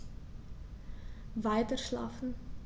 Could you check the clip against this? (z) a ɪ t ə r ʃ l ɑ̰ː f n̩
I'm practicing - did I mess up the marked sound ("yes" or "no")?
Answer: yes